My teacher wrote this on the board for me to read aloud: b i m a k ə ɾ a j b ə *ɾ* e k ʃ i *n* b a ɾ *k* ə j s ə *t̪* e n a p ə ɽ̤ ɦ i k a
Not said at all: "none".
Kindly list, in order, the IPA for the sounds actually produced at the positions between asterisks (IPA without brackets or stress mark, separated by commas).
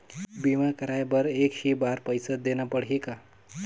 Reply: ɾ, none, p, d̪